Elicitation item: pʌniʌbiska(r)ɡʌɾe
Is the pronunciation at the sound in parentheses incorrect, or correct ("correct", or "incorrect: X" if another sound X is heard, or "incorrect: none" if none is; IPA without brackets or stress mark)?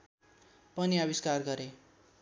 correct